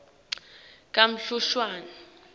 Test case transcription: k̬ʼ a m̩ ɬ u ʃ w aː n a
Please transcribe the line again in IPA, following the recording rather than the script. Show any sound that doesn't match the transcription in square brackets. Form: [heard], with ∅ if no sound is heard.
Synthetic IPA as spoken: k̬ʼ a m̩ ɬ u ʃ w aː n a